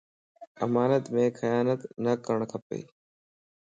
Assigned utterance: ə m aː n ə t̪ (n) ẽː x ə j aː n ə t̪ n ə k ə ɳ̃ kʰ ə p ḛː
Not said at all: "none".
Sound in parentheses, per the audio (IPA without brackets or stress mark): m